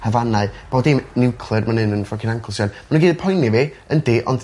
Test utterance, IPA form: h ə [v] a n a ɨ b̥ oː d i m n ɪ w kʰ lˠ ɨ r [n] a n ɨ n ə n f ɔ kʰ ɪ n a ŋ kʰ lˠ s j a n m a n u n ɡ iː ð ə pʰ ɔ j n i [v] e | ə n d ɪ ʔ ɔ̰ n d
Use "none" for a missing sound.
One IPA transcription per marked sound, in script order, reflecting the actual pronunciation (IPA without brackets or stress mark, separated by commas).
v, m, v